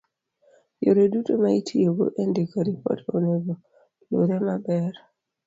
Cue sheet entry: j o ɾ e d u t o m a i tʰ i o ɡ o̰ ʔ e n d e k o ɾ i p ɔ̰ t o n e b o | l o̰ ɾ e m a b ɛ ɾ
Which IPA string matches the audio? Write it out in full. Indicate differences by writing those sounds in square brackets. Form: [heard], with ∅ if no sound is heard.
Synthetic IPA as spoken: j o ɾ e d u t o m a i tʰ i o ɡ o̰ ʔ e n d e k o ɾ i p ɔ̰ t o n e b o | l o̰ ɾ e m a b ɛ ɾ